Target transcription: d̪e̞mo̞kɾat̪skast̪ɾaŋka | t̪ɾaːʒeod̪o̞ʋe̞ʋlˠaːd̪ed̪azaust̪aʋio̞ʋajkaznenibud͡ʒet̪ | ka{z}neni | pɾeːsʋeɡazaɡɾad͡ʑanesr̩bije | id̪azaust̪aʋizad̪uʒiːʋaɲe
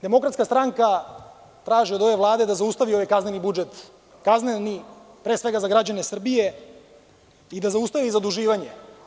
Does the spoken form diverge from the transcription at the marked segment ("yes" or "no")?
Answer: no